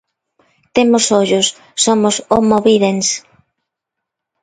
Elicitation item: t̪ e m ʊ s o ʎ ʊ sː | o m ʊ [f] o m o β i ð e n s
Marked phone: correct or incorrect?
incorrect